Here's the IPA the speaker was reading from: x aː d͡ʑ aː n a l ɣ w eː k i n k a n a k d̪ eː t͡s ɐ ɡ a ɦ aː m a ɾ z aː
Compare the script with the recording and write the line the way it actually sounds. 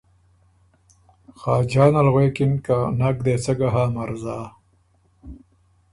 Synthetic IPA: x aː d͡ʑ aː n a l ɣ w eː k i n k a n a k d̪ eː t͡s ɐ ɡ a ɦ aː m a ɾ z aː